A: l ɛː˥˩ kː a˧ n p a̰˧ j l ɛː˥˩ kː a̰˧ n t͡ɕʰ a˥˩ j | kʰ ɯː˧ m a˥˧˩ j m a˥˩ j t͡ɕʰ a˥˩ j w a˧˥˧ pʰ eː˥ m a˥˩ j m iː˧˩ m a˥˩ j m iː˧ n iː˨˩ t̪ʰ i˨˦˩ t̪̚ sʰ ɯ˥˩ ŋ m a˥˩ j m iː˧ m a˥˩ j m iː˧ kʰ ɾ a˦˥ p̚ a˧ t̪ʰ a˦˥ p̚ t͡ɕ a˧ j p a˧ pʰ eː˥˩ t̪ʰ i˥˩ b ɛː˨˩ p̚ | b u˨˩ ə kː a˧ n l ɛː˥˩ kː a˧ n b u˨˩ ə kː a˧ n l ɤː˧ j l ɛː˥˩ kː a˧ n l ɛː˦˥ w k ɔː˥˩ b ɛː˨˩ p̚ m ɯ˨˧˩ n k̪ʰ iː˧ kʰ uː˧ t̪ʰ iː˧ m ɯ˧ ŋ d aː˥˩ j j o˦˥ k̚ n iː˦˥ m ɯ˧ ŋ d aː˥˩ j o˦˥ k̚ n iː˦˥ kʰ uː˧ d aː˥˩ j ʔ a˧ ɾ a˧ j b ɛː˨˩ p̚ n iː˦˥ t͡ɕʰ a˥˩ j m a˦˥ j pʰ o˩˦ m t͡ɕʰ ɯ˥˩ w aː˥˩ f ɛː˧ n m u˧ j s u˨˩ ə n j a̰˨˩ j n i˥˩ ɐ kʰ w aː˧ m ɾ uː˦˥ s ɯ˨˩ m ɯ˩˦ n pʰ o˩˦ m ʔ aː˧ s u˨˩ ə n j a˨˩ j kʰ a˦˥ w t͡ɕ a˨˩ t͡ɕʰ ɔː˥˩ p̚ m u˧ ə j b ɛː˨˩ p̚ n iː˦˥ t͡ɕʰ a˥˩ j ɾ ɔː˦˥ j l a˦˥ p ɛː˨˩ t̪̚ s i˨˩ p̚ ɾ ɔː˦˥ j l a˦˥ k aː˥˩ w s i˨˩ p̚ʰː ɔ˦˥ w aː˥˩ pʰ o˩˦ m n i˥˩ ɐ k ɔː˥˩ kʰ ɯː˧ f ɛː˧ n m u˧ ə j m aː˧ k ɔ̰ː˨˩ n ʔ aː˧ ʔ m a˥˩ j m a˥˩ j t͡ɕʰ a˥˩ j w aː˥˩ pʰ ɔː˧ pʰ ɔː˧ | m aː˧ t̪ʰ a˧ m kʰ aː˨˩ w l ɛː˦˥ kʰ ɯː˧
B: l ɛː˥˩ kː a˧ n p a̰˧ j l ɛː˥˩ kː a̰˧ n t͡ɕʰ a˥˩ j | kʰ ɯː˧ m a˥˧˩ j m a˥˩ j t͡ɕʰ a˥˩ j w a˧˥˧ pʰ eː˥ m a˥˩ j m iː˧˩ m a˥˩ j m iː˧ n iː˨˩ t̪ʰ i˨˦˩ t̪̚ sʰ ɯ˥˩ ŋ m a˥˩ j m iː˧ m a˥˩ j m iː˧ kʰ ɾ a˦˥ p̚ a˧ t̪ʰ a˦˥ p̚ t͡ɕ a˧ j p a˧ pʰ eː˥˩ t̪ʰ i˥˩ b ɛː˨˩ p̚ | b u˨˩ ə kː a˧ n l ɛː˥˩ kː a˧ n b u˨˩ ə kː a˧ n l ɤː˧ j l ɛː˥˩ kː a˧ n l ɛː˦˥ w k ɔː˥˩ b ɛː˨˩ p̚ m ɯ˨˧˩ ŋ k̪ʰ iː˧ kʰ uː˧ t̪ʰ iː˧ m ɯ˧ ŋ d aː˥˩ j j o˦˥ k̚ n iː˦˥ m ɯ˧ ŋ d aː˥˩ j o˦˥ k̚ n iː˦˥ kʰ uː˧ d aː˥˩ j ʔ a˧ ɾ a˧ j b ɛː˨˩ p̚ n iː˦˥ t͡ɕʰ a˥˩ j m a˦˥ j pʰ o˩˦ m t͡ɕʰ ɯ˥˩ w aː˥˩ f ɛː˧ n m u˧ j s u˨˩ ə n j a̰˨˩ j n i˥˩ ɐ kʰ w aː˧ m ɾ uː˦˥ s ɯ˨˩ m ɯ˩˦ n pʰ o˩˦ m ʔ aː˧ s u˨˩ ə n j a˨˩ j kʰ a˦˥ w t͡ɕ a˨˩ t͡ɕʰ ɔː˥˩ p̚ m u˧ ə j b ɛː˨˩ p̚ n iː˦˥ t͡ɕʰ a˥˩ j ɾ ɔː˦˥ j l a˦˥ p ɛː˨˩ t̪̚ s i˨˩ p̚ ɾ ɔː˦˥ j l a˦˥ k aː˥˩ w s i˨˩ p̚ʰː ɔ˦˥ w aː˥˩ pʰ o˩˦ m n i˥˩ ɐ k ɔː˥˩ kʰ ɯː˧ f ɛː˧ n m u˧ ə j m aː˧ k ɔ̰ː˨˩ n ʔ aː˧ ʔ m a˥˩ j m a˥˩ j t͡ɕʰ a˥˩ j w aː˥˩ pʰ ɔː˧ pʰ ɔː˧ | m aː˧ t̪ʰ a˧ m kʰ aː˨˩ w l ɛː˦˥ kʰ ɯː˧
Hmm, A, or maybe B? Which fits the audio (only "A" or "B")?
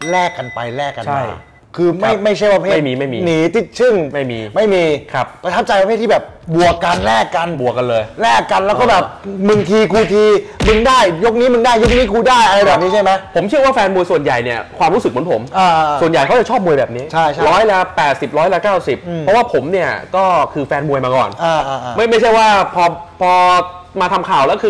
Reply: B